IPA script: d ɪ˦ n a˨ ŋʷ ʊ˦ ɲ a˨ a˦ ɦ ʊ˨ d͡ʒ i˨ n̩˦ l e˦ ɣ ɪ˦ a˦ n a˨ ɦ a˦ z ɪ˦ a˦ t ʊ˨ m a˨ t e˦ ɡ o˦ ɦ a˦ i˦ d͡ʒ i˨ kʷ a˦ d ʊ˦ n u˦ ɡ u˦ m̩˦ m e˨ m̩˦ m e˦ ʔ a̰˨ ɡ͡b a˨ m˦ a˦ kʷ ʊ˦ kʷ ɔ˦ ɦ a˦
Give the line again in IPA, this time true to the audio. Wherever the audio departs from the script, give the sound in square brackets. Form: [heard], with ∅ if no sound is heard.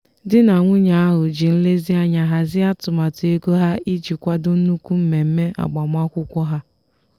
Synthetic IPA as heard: d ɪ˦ n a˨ ŋʷ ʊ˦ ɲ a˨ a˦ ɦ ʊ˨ d͡ʒ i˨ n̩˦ l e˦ [z] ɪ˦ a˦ [ɲ] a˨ ɦ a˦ z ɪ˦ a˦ t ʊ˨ m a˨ t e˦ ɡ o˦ ɦ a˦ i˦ d͡ʒ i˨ kʷ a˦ d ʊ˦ n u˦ [k] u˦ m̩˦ m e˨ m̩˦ m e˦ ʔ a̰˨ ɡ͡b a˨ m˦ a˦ kʷ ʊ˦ kʷ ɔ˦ ɦ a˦